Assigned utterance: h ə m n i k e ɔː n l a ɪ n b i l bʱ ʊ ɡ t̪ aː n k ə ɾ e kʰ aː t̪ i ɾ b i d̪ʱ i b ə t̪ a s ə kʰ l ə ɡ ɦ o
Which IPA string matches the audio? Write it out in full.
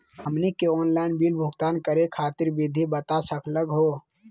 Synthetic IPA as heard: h ə m n i k e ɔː n l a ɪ n b i l bʱ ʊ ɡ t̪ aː n k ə ɾ e kʰ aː t̪ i ɾ b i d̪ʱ i b ə t̪ a s ə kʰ l ə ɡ ɦ o